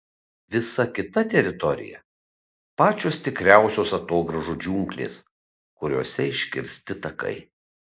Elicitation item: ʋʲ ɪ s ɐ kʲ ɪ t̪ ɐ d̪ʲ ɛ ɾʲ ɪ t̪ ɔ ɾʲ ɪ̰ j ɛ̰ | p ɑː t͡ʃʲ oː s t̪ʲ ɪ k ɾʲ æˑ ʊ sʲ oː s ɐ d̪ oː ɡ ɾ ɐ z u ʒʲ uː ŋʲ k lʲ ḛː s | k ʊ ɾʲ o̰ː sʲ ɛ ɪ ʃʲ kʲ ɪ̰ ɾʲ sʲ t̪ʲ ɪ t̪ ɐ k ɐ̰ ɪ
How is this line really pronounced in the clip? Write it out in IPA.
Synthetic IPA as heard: ʋʲ ɪ s ɐ kʲ ɪ t̪ ɐ t̪ʲ ɛ ɾʲ ɪ t̪ ɔ ɾʲ ɪ̰ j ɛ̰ | p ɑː t͡ʃʲ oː s t̪ʲ ɪ k ɾʲ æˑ ʊ sʲ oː s ɐ t̪ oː ɡ ɾ ɐ ʒ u d͡ʒʲ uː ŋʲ k lʲ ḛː s | k ʊ ɾʲ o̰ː sʲ ɛ ɪ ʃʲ kʲ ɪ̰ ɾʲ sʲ t̪ʲ ɪ t̪ ɐ k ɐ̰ ɪ